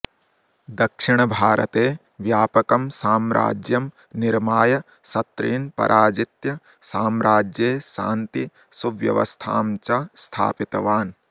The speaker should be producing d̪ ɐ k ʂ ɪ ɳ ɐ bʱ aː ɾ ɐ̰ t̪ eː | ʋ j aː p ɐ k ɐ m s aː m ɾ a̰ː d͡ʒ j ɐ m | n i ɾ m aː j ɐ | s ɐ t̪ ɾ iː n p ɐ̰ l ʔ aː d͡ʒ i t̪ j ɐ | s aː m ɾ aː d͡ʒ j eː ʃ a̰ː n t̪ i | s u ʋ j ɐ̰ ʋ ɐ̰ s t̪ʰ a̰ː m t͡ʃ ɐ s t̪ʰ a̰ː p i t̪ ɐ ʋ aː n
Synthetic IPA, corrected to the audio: d̪ ɐ k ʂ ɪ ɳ ɐ bʱ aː ɾ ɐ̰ t̪ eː | ʋ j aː p ɐ k ɐ m s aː m ɾ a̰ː d͡ʒ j ɐ m | n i ɾ m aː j ɐ | s ɐ t̪ ɾ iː n p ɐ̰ ɾ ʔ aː d͡ʒ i t̪ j ɐ | s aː m ɾ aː d͡ʒ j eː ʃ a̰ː n t̪ i | s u ʋ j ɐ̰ ʋ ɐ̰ s t̪ʰ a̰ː m t͡ʃ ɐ s t̪ʰ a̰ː p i t̪ ɐ ʋ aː n